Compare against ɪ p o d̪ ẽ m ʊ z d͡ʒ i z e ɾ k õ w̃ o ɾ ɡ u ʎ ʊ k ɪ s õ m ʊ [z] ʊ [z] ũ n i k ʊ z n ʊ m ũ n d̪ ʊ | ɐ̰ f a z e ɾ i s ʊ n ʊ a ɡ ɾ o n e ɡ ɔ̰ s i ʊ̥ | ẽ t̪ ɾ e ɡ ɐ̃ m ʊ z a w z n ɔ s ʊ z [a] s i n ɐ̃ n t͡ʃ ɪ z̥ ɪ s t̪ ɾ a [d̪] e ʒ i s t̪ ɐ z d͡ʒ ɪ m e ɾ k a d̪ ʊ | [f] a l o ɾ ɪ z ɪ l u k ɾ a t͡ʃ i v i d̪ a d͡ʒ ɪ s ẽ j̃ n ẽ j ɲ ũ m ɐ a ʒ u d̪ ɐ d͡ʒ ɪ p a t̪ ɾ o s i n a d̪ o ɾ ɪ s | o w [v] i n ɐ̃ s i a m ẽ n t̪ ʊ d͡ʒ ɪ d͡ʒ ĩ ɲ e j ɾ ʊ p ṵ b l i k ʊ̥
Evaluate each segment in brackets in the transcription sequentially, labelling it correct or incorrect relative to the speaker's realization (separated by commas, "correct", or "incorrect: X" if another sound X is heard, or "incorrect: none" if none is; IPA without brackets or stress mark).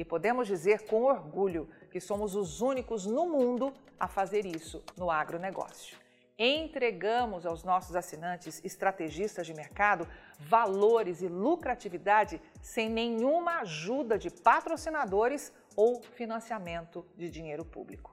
correct, correct, correct, incorrect: t̪, incorrect: v, incorrect: f